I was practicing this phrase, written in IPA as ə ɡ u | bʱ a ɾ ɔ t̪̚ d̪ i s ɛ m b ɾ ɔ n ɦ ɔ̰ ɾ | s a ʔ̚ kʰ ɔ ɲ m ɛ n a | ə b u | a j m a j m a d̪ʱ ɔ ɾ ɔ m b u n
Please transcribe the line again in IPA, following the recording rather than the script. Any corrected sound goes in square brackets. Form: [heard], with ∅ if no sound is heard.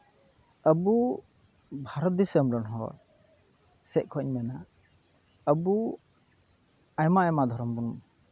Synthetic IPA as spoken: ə [b] u | bʱ a ɾ ɔ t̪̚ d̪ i s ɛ m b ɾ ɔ n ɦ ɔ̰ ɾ | s [ɛ] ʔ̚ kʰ ɔ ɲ m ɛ n a | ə b u | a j m a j m a d̪ʱ ɔ ɾ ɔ m b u n